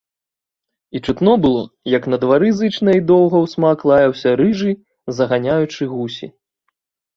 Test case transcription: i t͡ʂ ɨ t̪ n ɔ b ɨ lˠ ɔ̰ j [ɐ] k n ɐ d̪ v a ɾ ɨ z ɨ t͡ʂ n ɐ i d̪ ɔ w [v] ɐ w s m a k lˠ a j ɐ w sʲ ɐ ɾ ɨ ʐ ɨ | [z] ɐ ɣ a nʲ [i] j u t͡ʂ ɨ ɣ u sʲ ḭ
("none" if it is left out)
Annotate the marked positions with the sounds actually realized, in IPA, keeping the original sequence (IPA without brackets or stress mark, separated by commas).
ɐ, ɣ, z, a